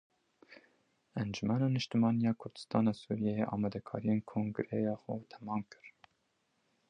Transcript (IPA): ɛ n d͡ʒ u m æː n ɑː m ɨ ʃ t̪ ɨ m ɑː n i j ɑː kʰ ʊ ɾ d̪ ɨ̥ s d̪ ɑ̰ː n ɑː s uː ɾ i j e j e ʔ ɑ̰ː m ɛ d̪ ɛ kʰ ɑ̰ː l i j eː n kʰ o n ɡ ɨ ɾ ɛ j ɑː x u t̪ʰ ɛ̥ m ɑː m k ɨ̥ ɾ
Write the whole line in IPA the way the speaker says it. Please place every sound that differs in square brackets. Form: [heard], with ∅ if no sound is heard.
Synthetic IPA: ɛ n d͡ʒ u m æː n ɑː [n] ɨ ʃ t̪ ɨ m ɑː n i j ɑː kʰ ʊ ɾ d̪ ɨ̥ s [t̪] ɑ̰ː n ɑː s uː ɾ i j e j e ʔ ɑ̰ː m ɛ d̪ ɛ kʰ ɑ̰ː [ɾ] i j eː n kʰ o [ŋ] ɡ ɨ ɾ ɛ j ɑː x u t̪ʰ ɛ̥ m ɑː m k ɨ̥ ɾ

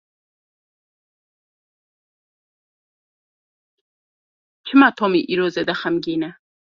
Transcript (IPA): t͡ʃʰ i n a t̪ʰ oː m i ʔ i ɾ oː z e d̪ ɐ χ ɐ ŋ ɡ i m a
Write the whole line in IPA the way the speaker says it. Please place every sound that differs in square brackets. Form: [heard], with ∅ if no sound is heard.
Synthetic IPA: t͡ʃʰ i [m] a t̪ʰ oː m i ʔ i ɾ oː z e d̪ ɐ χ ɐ [m] ɡ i [n] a

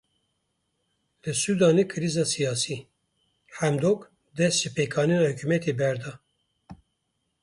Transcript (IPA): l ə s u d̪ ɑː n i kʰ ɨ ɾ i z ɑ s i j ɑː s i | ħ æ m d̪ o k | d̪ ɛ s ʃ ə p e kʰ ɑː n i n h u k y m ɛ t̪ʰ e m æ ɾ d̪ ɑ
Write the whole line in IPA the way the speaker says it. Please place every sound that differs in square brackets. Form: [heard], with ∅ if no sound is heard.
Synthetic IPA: l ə s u d̪ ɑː n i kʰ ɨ ɾ i z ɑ s i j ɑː s i | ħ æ m d̪ o k | d̪ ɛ s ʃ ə p e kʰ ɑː n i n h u k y m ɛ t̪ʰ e [b] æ ɾ d̪ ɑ

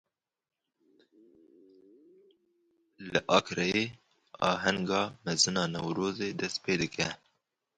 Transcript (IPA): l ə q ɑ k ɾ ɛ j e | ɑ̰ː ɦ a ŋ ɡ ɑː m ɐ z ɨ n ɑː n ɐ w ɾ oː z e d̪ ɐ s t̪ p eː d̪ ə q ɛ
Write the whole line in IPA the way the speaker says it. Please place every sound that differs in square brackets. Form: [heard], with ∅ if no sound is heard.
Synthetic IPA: l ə [ʔ] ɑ k ɾ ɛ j e | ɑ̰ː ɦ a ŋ ɡ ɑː m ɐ z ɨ n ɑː n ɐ w ɾ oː z e d̪ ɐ s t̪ p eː d̪ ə [k] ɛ

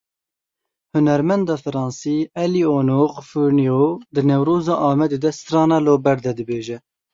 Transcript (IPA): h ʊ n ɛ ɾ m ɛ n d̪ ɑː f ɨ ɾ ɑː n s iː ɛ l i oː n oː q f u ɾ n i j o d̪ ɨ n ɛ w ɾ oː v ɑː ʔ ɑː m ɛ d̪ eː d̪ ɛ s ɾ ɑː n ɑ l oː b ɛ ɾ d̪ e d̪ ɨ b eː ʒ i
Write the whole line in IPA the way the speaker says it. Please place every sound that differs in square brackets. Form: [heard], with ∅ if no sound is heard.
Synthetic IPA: h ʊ n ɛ ɾ m ɛ n d̪ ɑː f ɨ ɾ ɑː n s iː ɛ l i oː n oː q f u ɾ n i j o d̪ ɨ n ɛ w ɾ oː [z] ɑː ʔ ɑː m ɛ d̪ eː d̪ ɛ s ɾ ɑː n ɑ l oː b ɛ ɾ d̪ [ɛ] d̪ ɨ b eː ʒ [ɛ]

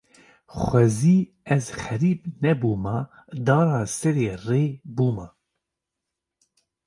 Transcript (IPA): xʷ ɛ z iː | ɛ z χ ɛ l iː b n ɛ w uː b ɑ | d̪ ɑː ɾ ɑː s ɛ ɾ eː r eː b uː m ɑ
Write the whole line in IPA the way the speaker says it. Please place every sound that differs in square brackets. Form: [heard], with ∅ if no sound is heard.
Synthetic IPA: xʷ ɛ z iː | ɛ z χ ɛ [ɾ] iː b n ɛ [b] uː [m] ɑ | d̪ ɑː ɾ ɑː s ɛ ɾ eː r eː b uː m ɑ

